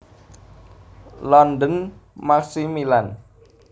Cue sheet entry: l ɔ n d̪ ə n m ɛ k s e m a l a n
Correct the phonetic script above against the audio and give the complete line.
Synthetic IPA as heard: l ɔ n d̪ ə n m a k s i m i l a n